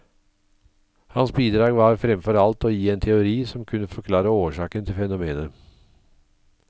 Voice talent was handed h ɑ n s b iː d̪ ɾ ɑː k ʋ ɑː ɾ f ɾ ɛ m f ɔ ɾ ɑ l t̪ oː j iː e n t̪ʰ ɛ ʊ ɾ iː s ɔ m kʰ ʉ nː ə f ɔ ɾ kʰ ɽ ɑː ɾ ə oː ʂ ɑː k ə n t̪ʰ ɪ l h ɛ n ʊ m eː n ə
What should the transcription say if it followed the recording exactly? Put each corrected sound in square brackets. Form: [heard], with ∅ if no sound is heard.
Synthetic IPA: h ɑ n s b iː d̪ ɾ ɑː [ɡ] ʋ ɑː ɾ f ɾ ɛ m f ɔ ɾ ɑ l t̪ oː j iː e n t̪ʰ ɛ ʊ ɾ iː s ɔ m kʰ ʉ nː ə f ɔ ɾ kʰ [l] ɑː ɾ ə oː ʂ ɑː k ə n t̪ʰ ɪ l [f] ɛ n ʊ m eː n ə